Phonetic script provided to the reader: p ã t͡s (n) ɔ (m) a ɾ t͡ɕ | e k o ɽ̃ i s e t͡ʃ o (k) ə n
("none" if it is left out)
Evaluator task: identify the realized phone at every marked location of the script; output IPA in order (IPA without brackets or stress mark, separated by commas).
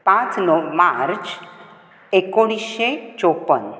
n, m, p